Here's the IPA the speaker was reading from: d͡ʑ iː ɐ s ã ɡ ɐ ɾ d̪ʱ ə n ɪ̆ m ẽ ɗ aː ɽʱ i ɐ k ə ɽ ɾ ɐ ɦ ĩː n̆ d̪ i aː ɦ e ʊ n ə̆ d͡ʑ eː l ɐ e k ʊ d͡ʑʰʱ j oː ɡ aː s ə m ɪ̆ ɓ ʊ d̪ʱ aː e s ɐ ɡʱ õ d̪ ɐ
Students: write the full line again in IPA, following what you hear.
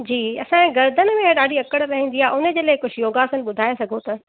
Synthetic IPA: d͡ʑ iː ɐ s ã ɡ ɐ ɾ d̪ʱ ə n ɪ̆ m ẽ ɗ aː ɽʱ i ɐ k ə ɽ ɾ ɐ ɦ ĩː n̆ d̪ i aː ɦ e ʊ n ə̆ d͡ʑ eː l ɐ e k ʊ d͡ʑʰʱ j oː ɡ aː s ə n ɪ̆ ɓ ʊ d̪ʱ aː e s ɐ ɡʱ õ t̪ ɐ